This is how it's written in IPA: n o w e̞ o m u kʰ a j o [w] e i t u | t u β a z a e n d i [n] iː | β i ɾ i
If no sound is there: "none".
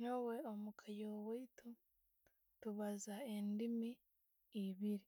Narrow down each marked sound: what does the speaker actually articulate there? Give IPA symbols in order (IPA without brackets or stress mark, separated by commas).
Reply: w, m